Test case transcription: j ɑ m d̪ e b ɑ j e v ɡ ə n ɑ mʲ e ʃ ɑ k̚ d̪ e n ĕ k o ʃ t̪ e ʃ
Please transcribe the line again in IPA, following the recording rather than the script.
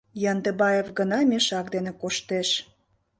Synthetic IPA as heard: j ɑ n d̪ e b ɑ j e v ɡ ə n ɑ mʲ e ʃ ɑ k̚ d̪ e n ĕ k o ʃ t̪ e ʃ